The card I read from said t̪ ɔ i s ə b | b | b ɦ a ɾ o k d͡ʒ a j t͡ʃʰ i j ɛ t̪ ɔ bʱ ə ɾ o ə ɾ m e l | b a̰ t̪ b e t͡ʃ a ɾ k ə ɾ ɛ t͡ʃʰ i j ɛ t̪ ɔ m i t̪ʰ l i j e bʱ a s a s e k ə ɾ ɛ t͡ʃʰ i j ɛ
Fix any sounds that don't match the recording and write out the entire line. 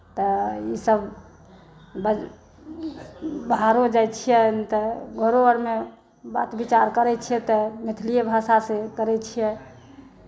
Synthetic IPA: t̪ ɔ i s ə b | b | b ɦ a ɾ o d͡ʒ a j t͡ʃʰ i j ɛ t̪ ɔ ɡʱ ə ɾ o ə ɾ m e | b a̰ t̪ b i t͡ʃ a ɾ k ə ɾ ɛ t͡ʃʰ i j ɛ t̪ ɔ m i t̪ʰ l i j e bʱ a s a s e k ə ɾ ɛ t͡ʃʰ i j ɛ